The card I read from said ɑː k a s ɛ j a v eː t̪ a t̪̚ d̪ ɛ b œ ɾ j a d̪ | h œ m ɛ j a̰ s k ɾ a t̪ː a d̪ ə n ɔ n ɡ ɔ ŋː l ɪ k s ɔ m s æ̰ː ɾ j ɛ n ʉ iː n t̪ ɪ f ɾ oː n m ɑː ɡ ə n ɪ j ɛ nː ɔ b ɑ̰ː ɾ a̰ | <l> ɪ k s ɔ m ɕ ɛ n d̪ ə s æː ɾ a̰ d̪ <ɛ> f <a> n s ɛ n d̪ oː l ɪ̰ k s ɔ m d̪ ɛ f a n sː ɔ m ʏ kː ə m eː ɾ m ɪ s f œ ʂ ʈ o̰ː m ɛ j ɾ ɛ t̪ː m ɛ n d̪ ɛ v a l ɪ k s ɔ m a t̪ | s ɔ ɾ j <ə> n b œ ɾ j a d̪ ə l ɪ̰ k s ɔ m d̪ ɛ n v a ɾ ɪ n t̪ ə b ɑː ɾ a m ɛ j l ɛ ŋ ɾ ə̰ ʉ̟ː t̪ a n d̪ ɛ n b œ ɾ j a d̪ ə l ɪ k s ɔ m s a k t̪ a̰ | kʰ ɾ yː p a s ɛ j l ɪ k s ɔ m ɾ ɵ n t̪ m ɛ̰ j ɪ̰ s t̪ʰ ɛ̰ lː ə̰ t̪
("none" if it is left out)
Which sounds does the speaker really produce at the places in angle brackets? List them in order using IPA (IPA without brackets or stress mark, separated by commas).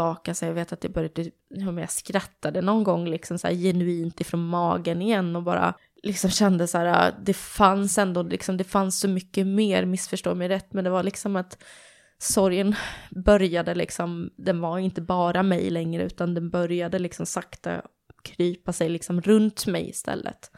l, ɛ, a, ə